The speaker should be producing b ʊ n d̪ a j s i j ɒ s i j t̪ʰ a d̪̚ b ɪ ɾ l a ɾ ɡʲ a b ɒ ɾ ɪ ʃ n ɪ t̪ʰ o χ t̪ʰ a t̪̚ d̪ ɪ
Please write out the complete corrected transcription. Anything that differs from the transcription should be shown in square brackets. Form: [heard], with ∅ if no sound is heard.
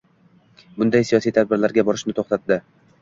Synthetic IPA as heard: b ʊ n d̪ a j s i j ɒ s i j t̪ʰ a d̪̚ b ɪ ɾ l a ɾ ɡʲ a b ɒ ɾ ɪ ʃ n ɪ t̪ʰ o χ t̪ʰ a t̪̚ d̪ ɪ